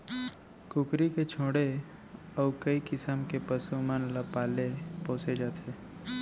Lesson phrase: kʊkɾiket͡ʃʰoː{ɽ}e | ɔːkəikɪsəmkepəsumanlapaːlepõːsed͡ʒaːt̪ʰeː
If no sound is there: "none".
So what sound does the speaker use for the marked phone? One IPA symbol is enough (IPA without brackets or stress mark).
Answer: ɽ